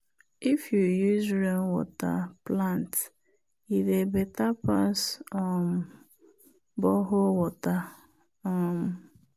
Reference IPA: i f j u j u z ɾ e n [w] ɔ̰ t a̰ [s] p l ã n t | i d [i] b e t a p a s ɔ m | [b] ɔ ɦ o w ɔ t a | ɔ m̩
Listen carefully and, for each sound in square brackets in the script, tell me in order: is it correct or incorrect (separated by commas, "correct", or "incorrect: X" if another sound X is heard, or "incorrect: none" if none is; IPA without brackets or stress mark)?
correct, incorrect: none, incorrect: e, correct